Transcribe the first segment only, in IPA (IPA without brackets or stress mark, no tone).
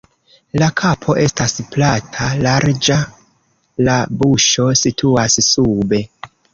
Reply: l